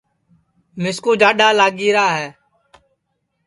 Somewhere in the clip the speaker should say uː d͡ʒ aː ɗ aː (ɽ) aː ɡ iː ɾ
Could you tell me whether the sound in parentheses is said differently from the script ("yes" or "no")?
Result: yes